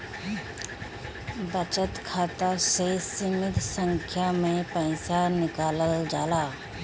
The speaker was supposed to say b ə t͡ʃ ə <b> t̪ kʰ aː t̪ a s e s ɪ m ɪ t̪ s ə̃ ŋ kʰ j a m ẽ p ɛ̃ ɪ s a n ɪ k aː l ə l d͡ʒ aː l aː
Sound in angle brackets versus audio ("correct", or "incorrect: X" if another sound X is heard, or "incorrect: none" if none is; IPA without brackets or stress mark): incorrect: none